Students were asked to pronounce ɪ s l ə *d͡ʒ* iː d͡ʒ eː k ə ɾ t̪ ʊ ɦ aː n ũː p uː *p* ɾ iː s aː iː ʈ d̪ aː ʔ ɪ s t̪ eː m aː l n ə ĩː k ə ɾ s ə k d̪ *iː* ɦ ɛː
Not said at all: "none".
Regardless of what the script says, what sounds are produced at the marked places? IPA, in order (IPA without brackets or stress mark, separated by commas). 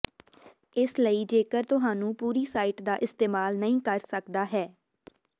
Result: none, none, aː